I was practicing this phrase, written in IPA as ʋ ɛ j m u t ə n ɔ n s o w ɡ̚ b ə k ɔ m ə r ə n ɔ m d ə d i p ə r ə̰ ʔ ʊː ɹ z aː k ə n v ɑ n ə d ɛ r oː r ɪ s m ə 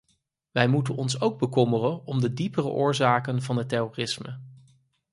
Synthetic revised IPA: ʋ ɛ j m u t ə n ɔ n s o w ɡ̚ b ə k ɔ m ə r ə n ɔ m d ə d i p ə r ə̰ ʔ ʊː ɹ z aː k ə n v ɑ n ə t ɛ r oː r ɪ s m ə